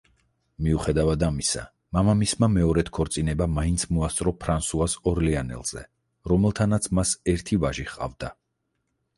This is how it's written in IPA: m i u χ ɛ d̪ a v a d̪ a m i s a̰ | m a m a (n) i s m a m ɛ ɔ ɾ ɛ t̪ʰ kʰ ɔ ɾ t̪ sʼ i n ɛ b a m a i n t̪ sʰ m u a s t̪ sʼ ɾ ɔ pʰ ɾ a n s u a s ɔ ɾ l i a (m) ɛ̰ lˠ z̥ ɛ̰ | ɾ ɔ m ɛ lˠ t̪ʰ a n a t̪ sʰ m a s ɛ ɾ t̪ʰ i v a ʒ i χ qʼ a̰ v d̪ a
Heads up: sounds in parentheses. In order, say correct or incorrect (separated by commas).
incorrect, incorrect